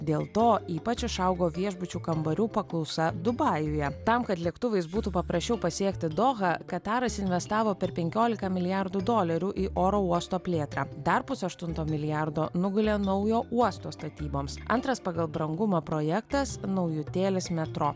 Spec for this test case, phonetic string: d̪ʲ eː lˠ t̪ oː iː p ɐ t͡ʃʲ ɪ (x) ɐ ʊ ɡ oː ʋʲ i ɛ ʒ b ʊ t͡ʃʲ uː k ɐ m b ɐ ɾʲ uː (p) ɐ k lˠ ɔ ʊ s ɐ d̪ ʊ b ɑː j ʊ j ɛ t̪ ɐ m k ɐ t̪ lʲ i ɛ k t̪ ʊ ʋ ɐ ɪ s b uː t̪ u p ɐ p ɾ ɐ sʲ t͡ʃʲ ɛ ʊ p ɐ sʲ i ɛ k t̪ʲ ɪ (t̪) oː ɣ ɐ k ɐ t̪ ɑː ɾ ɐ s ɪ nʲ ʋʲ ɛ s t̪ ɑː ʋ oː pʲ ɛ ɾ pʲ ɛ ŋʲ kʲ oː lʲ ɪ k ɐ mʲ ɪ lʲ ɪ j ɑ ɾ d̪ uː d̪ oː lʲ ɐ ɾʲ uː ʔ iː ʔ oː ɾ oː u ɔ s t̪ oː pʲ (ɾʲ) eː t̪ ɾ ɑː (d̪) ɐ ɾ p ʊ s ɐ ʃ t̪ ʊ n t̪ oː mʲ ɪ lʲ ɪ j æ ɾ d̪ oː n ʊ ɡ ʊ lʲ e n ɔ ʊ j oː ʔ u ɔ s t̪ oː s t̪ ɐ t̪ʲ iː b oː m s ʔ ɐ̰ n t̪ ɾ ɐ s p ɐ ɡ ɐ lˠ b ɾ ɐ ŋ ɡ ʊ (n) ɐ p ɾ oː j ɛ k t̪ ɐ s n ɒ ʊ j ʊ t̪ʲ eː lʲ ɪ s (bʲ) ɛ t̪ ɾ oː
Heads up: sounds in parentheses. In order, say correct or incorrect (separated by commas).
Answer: incorrect, correct, incorrect, incorrect, correct, incorrect, incorrect